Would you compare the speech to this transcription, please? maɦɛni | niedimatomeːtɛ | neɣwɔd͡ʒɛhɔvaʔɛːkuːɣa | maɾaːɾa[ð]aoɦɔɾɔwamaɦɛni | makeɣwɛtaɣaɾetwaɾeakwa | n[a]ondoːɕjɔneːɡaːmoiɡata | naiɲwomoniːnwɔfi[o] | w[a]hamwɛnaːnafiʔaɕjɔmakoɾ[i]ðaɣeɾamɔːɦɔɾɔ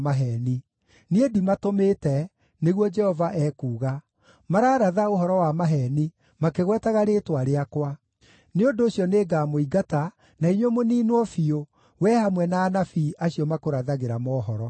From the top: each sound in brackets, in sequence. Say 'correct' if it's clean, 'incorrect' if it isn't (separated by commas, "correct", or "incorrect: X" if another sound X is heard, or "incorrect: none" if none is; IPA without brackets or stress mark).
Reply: correct, incorrect: e, correct, incorrect: ɛ, incorrect: a